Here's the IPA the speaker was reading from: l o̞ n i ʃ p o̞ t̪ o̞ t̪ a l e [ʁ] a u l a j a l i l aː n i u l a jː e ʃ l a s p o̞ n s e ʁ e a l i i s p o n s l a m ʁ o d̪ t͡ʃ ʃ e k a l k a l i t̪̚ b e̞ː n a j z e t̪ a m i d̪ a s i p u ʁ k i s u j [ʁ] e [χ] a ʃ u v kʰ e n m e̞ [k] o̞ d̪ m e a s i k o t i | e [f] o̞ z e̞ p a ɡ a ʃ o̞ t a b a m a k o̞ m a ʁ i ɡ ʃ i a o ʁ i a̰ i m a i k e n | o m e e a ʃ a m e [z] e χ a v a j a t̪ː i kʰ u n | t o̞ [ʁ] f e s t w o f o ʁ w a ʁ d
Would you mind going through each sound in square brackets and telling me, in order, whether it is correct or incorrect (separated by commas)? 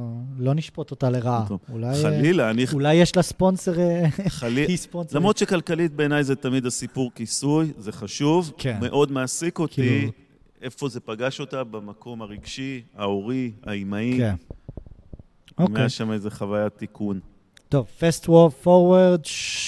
correct, incorrect, correct, incorrect, correct, correct, incorrect